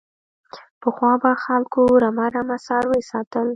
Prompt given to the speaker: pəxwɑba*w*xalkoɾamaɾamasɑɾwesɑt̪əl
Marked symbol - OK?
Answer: no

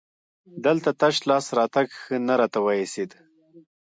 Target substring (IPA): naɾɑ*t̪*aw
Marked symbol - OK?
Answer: yes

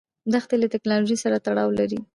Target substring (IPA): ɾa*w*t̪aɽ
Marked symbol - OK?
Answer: no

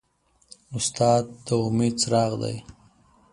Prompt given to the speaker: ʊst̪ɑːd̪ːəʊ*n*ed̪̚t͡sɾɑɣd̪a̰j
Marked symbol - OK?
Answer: no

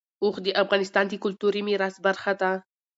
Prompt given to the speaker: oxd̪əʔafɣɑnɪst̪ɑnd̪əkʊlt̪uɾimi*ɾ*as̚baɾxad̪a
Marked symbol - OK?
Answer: yes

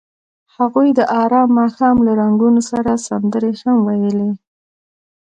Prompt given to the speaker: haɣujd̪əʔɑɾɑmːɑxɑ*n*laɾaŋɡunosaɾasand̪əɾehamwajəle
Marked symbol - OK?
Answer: no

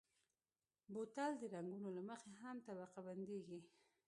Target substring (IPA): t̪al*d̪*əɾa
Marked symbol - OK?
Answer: yes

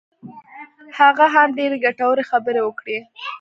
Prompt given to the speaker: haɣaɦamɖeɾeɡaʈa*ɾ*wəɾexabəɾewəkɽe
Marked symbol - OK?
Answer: no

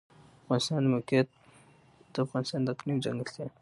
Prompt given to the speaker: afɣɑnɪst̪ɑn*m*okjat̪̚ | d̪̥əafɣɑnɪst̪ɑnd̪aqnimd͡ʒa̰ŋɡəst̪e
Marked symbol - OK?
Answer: yes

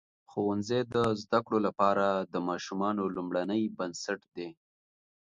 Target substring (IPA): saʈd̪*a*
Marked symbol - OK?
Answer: no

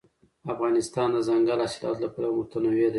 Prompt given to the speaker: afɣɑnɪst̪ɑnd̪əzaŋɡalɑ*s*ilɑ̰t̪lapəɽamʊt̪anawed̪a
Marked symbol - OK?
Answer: yes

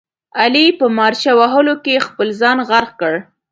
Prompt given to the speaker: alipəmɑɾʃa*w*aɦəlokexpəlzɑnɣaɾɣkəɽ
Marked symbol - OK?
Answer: yes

